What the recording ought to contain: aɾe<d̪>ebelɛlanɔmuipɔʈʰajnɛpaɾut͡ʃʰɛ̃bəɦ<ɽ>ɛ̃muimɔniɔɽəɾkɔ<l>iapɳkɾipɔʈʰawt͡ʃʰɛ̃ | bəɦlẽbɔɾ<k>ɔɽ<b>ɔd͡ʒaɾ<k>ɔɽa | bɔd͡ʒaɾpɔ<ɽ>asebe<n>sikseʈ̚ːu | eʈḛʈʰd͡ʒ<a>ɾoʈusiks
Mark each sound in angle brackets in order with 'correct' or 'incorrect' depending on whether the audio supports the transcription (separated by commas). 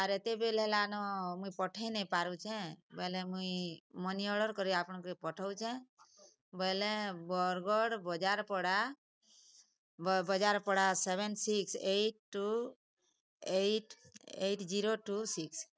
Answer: incorrect, incorrect, incorrect, incorrect, correct, incorrect, correct, correct, incorrect